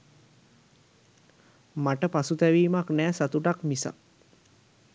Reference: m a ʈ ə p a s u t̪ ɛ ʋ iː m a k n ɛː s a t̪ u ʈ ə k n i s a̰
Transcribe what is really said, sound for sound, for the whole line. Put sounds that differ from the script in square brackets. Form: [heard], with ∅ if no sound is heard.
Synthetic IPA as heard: m a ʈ ə p a s u t̪ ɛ ʋ iː m a k n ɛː s a t̪ u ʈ [a] k [m] i s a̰